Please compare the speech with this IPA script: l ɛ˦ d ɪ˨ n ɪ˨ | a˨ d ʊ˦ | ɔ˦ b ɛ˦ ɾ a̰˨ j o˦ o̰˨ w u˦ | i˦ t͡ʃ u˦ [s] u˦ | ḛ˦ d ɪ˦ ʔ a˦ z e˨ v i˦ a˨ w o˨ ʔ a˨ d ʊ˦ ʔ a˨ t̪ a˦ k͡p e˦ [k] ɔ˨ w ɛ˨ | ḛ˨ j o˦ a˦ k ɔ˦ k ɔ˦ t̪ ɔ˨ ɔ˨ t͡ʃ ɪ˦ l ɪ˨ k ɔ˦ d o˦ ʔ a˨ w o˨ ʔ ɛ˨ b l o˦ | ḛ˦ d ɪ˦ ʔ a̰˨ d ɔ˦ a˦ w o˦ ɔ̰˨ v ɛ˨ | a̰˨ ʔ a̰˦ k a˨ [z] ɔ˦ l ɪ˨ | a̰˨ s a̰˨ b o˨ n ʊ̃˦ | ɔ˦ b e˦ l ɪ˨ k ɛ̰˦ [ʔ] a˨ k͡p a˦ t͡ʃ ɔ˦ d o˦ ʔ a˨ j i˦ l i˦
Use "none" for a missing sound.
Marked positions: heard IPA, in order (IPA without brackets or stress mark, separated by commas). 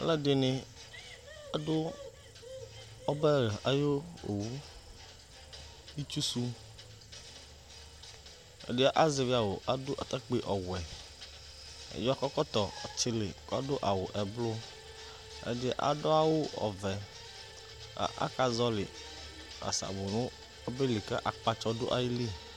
s, ʔ, z, ʔ